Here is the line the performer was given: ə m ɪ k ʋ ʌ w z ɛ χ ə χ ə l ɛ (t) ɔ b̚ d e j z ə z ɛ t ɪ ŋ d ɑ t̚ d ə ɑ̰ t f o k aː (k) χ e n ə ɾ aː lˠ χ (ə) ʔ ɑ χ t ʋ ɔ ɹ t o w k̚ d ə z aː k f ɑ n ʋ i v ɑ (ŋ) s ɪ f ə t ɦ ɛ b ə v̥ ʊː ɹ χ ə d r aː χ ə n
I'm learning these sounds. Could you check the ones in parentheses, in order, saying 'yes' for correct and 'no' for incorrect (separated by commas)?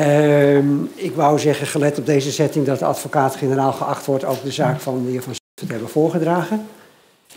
yes, no, yes, no